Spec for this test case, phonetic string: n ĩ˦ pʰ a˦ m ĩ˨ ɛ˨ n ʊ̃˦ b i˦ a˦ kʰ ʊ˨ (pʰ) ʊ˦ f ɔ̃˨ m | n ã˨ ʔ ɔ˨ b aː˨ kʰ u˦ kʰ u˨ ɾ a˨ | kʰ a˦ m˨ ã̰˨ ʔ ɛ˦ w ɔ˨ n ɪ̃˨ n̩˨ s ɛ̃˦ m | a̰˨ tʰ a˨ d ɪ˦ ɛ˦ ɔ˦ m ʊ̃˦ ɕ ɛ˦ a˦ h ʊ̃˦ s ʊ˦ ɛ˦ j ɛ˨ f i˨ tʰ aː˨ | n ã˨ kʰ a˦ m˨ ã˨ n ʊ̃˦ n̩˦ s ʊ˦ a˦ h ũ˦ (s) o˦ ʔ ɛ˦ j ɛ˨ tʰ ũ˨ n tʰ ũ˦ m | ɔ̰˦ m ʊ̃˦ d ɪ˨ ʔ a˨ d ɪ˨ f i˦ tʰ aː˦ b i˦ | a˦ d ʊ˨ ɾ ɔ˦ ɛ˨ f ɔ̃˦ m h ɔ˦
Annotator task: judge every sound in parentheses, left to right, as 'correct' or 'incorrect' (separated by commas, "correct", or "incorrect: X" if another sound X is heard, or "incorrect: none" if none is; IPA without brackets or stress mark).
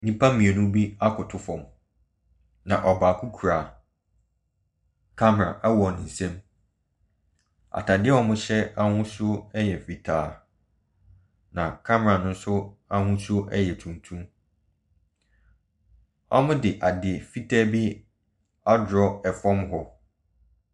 incorrect: tʰ, correct